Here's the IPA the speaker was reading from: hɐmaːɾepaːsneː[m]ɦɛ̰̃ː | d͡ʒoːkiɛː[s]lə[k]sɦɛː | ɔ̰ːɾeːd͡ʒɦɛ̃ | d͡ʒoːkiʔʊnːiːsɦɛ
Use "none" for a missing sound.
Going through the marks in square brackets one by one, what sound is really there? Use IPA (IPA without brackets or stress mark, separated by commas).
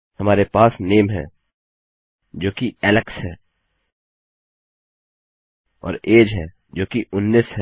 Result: m, none, k